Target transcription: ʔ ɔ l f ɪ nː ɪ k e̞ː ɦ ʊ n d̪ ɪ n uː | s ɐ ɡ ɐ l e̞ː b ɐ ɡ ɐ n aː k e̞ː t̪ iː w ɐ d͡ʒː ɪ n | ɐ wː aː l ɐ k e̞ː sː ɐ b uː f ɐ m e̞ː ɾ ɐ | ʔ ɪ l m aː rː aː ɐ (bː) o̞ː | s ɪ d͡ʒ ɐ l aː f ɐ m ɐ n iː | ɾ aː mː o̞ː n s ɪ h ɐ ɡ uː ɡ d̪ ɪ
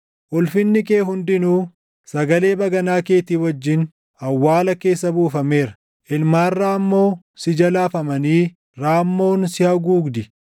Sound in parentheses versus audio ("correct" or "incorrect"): incorrect